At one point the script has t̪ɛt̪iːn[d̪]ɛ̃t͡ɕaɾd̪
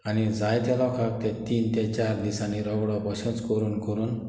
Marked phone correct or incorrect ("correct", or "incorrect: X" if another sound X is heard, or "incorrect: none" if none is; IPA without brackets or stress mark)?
incorrect: t̪